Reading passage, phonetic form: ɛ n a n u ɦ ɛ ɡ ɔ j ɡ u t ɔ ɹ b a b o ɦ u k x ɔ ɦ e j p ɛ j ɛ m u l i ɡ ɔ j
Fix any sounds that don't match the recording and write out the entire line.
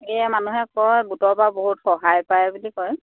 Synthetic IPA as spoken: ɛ m a n u ɦ ɛ k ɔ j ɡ u t ɔ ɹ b a b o ɦ u t x ɔ ɦ a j p a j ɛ b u l i k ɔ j